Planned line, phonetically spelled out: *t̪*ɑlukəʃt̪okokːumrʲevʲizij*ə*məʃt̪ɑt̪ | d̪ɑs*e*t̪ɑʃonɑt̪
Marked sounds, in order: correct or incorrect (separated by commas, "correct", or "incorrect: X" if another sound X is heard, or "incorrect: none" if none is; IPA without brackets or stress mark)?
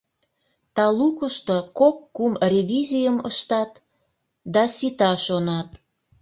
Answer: correct, correct, incorrect: i